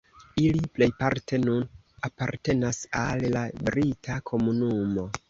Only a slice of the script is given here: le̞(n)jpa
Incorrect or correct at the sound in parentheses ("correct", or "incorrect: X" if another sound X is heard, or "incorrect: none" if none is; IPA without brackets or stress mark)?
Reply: incorrect: none